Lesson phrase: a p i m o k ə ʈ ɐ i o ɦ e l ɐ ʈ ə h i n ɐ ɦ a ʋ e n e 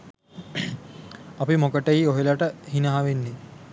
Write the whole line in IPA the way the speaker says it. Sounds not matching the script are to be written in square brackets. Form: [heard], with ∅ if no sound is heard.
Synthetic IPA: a p i m o k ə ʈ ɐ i o ɦ e l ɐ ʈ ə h i n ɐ ɦ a ʋ e [nː] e

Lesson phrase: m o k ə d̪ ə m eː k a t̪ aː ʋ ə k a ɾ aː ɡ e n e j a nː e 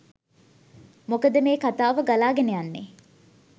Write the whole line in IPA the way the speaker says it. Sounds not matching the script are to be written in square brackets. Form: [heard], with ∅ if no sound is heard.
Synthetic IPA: m o k ə d̪ ə m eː k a t̪ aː ʋ ə [ɡ] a [l] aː ɡ e n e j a nː e

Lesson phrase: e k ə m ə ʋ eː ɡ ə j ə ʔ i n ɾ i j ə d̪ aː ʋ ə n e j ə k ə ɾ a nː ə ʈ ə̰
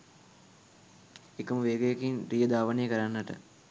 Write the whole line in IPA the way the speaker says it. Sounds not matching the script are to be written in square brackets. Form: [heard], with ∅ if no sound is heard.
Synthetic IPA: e k ə m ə ʋ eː ɡ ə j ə [k] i n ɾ i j ə d̪ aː ʋ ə n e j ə k ə ɾ a nː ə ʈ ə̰

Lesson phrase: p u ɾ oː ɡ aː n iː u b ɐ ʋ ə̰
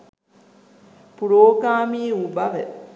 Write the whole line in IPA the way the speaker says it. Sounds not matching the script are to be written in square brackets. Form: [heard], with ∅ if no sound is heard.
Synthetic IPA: p u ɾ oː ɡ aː [m] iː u b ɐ ʋ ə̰

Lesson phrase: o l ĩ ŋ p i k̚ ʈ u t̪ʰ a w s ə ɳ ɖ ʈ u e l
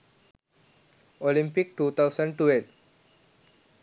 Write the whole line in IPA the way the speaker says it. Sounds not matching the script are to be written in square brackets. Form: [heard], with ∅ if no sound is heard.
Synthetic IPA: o l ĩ [m] p i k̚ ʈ u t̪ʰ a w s ə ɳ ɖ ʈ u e l

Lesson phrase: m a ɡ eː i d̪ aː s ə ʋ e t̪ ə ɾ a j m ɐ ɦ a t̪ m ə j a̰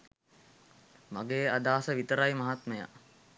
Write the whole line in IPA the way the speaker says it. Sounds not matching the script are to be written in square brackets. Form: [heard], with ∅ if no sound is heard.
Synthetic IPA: m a ɡ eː [a] d̪ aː s ə ʋ [i] t̪ ə ɾ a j m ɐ ɦ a t̪ m ə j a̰

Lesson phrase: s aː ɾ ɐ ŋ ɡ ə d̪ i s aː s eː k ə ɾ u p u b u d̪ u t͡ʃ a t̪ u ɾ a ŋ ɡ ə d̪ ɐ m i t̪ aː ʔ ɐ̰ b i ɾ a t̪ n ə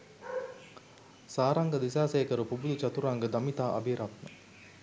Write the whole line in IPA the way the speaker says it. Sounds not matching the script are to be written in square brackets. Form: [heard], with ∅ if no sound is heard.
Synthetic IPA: s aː ɾ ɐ ŋ ɡ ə d̪ i s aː s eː k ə ɾ u p u b u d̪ u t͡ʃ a t̪ u ɾ a ŋ ɡ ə d̪ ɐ m i t̪ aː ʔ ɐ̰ b i ɾ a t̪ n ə

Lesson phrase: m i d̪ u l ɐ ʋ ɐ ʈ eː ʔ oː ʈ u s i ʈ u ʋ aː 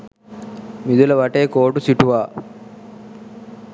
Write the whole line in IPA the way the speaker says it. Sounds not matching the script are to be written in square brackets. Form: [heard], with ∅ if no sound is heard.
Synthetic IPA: m i d̪ u l ɐ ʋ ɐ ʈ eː [k] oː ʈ u s i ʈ u ʋ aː

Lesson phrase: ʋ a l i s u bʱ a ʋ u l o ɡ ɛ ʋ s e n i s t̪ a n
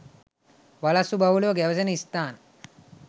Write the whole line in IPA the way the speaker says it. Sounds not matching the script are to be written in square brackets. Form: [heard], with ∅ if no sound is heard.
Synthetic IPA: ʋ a l [a] s u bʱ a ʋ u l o ɡ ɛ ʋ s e n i s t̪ a n

